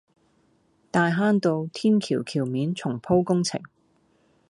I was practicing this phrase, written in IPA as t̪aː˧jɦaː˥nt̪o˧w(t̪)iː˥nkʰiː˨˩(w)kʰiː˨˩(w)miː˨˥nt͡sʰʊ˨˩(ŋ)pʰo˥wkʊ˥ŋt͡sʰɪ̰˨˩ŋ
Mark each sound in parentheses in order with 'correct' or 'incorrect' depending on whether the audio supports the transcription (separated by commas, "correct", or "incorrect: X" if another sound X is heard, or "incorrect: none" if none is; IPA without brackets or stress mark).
incorrect: t̪ʰ, correct, correct, correct